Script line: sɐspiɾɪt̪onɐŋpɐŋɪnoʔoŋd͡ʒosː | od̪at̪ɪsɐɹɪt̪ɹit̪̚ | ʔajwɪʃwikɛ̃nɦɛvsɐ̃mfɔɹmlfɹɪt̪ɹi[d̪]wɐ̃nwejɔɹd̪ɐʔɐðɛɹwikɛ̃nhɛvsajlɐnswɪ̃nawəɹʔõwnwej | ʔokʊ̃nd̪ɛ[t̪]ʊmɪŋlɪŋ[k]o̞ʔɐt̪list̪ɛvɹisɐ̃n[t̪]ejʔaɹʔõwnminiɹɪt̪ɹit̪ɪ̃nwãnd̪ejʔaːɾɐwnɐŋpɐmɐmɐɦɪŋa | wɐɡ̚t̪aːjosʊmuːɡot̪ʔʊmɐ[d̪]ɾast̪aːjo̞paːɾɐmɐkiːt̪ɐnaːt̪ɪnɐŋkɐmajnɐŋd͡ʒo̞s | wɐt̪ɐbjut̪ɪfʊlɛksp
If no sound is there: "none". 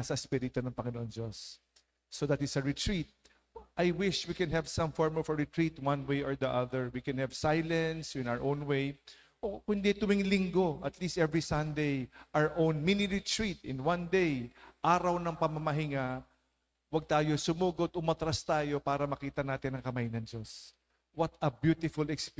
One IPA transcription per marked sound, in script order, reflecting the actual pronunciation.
t̪, t̪, ɡ, d̪, t̪

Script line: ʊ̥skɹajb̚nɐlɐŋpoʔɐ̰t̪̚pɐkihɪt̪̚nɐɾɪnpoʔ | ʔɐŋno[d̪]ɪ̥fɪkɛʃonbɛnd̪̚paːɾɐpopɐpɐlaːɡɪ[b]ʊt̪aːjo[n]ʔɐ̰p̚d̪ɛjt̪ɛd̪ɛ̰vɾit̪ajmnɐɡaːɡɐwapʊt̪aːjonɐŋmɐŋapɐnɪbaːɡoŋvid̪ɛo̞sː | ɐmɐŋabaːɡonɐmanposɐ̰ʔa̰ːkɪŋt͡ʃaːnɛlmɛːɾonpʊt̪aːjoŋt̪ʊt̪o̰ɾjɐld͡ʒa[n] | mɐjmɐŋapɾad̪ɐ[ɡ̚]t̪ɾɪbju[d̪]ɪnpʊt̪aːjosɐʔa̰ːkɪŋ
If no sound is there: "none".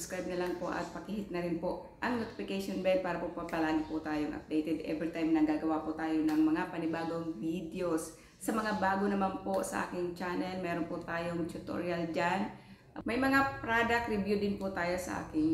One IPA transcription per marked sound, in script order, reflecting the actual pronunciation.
t̪, p, ŋ, n, k̚, d̪

